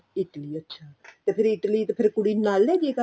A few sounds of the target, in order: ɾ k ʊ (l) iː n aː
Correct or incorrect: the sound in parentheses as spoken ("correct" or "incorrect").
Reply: incorrect